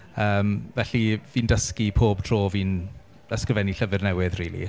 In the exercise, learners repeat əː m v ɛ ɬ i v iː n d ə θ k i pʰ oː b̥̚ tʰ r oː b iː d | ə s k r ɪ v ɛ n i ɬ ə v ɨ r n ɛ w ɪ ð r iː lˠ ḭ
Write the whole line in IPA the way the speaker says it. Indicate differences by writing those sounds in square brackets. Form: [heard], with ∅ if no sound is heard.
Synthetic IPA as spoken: əː m v ɛ ɬ i v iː n d ə [s] k i pʰ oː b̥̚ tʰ r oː [v] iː [n] | ə s k r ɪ v ɛ n i ɬ ə v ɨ r n ɛ w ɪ ð r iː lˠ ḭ